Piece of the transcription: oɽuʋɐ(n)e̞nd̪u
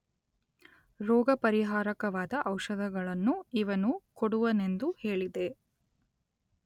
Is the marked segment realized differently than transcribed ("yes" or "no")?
no